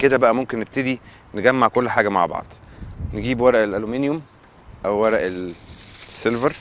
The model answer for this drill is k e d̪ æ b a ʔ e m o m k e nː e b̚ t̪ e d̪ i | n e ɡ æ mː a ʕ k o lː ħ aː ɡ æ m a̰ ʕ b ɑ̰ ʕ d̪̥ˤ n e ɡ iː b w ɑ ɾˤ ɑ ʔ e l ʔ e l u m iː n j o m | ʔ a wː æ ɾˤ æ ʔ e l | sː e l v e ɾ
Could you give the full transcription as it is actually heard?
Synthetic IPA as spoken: k e d̪ æ b æ ʔ æ m o m k e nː e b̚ t̪ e d̪ i | n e ɡ æ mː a ʕ k o lː ħ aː ɡ æ m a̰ ʕ b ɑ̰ ʕ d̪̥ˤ n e ɡ iː b w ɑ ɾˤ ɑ ʔ e l ʔ æ l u m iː n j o m | ʔ æ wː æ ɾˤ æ ʔ e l | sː e l v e ɾ